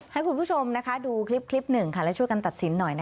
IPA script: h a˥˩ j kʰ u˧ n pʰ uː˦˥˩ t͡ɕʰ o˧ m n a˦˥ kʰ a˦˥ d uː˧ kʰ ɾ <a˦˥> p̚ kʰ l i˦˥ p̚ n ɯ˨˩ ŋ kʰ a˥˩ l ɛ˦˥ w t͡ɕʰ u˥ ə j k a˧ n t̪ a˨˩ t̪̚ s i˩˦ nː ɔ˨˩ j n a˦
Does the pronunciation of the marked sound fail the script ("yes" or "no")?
yes